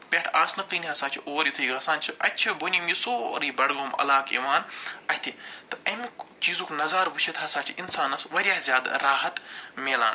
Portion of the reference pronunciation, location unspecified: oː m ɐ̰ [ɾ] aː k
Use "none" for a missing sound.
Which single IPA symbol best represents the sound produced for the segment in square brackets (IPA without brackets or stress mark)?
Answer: l